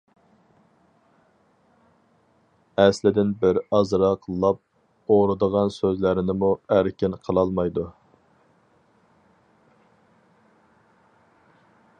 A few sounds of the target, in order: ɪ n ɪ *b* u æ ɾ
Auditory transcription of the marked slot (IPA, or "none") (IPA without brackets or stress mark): m